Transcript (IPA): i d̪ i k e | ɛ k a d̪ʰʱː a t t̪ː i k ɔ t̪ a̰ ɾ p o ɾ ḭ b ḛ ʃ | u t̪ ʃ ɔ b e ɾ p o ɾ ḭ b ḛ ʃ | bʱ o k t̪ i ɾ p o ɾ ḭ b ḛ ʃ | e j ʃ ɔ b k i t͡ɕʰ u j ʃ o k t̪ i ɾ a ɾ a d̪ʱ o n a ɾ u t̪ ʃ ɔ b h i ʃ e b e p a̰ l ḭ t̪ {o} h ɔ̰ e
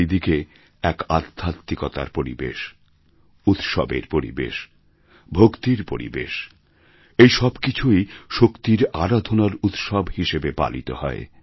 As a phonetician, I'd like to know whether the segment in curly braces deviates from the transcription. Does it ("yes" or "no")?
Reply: no